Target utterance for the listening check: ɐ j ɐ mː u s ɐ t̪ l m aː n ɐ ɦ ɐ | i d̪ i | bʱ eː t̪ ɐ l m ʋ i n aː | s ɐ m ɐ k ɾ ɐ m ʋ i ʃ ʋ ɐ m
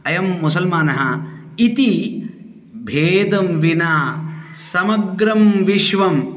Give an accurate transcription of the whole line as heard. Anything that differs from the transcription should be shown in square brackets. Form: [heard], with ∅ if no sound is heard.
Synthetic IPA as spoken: ɐ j ɐ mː u s ɐ [∅] l m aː n ɐ ɦ ɐ | i [t̪] i | bʱ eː [d̪] ɐ [∅] m ʋ i n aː | s ɐ m ɐ [ɡ] ɾ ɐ m ʋ i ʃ ʋ ɐ m

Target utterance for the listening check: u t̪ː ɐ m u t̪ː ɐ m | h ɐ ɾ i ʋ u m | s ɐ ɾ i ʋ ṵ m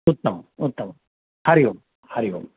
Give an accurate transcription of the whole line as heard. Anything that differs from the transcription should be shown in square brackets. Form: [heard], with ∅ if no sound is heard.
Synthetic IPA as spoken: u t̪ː ɐ m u t̪ː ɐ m | h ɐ ɾ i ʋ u m | [h] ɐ ɾ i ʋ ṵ m

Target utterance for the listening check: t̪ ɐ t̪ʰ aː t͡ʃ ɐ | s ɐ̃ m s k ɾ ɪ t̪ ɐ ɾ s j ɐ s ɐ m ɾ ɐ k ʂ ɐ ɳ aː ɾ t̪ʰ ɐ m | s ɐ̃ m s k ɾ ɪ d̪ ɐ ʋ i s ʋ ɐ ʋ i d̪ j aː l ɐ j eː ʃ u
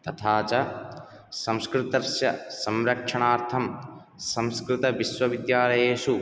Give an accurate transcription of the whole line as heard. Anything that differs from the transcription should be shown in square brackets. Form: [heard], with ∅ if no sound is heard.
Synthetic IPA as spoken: t̪ ɐ t̪ʰ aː t͡ʃ ɐ | s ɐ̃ m s k ɾ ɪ t̪ ɐ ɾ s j ɐ s ɐ m ɾ ɐ k ʂ ɐ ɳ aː ɾ t̪ʰ ɐ m | s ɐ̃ m s k ɾ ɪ [t̪] ɐ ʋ i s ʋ ɐ ʋ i d̪ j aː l ɐ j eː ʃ u

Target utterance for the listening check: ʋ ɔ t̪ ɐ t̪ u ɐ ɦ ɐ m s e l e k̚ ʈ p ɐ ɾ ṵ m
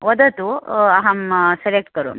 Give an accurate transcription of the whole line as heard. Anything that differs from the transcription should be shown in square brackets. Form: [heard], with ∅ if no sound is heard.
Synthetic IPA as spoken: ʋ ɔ [d̪] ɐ t̪ u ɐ ɦ ɐ m s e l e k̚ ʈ [k] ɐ ɾ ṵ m

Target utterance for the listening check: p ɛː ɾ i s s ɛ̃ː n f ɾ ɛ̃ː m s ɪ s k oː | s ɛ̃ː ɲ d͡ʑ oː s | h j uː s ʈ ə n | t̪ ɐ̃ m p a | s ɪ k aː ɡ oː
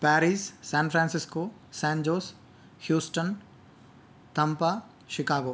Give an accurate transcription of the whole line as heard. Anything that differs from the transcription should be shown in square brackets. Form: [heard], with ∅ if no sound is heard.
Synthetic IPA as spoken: p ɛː ɾ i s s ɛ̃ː n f ɾ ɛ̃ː [n] s ɪ s k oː | s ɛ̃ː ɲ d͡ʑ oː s | h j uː s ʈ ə n | t̪ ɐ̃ m p a | [ʃ] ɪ k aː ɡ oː

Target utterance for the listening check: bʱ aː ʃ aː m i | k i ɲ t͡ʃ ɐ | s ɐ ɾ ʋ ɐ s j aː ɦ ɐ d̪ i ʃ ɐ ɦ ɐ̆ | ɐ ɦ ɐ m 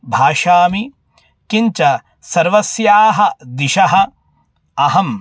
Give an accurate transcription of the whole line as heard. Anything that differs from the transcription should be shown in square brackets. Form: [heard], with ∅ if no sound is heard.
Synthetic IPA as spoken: bʱ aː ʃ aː m i | k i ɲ t͡ʃ ɐ | s ɐ ɾ ʋ ɐ s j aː ɦ ɐ d̪ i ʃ ɐ ɦ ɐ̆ | ɐ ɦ ɐ m

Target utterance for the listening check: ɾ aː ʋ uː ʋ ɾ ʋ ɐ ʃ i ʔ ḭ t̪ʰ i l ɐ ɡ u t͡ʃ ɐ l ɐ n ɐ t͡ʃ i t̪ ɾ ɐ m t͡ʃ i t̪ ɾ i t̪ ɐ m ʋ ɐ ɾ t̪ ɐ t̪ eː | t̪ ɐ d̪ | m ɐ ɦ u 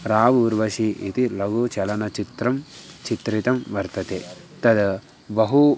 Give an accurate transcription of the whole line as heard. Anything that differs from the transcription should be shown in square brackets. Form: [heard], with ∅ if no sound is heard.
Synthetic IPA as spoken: ɾ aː ʋ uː [∅] ɾ ʋ ɐ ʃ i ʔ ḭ [t̪] i l ɐ ɡ u t͡ʃ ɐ l ɐ n ɐ t͡ʃ i t̪ ɾ ɐ m t͡ʃ i t̪ ɾ i t̪ ɐ m ʋ ɐ ɾ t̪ ɐ t̪ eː | t̪ ɐ d̪ | [b] ɐ ɦ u

